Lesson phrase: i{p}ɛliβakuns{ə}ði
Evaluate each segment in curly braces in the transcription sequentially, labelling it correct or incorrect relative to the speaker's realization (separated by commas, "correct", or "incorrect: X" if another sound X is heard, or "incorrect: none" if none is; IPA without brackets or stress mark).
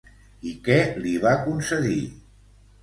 incorrect: k, correct